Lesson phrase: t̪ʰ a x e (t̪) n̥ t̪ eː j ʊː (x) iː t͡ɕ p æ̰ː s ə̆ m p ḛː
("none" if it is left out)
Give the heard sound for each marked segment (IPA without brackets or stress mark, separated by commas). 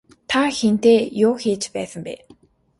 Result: none, x